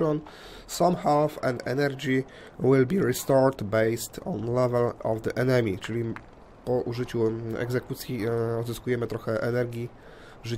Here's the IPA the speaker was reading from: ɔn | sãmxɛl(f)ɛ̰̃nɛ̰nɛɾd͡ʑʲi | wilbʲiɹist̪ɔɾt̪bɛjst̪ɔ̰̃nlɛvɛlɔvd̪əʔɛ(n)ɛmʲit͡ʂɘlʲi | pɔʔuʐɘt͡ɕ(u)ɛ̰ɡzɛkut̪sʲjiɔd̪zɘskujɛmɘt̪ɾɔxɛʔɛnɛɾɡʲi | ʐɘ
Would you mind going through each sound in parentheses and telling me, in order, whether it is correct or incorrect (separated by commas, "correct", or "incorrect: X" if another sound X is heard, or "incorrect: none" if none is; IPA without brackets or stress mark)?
correct, correct, correct